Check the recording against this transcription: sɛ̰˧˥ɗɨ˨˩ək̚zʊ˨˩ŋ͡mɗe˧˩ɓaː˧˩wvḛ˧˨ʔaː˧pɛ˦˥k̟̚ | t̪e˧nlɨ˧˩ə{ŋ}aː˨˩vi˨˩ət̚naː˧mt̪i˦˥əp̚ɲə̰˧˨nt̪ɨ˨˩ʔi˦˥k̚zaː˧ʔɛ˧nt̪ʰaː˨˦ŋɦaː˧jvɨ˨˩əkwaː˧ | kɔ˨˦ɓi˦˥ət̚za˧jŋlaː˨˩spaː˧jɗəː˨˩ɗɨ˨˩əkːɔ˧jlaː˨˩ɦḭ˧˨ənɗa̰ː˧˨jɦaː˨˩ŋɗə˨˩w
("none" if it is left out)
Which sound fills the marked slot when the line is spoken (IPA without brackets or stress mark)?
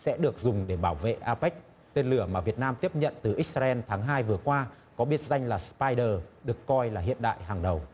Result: m